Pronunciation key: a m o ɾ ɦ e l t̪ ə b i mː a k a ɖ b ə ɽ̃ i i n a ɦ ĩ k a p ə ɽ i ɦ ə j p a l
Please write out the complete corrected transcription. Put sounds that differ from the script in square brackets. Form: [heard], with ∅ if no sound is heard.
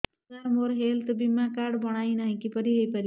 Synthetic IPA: a m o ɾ ɦ e l t̪ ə b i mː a k a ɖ b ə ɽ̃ [a] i n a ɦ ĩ k [i] p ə [ɾ] i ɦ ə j p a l